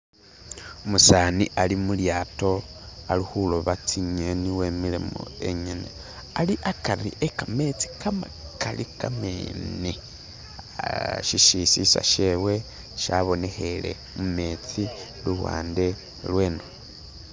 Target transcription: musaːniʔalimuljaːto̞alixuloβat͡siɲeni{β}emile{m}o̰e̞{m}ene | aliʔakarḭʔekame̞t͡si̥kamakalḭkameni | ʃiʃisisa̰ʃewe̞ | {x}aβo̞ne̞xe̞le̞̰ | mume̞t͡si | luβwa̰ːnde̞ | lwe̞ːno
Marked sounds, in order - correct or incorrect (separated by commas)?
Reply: incorrect, correct, incorrect, incorrect